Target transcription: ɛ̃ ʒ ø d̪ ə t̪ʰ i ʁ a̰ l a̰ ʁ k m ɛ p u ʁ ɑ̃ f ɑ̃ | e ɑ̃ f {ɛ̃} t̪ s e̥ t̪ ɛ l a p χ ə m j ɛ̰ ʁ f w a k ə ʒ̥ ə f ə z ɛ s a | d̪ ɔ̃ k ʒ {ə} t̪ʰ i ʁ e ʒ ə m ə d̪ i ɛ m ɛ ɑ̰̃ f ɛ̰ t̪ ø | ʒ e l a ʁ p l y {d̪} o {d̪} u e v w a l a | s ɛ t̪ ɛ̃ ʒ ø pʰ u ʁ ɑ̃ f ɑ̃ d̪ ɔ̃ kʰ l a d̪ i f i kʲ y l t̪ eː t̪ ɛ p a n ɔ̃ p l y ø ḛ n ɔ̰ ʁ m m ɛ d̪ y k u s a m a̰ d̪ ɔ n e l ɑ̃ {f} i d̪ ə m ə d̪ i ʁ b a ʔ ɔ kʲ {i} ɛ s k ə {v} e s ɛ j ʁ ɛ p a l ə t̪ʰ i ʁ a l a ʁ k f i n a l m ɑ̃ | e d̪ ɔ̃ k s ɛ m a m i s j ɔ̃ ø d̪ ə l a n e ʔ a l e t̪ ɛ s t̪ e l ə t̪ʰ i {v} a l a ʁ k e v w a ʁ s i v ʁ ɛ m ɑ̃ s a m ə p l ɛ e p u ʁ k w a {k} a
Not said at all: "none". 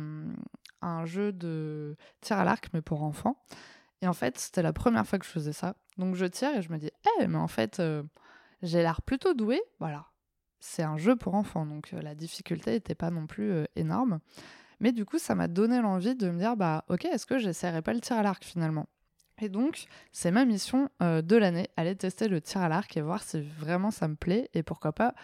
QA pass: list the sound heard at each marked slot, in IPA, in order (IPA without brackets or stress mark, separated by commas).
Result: ɛ, ə, t̪, d̪, v, e, ʒ, ʁ, p